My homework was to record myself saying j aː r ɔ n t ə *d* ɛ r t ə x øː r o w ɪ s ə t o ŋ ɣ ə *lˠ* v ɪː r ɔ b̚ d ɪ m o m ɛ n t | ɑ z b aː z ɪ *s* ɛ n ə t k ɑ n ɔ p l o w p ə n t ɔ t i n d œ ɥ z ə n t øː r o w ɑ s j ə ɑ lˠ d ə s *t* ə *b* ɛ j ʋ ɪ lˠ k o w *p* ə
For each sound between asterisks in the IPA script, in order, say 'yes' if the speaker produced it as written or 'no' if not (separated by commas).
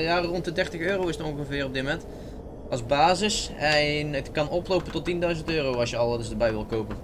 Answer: yes, no, yes, no, yes, yes